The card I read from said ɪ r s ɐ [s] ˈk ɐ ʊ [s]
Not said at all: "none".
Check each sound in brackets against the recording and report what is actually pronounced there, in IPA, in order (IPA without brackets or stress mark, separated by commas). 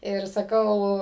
none, none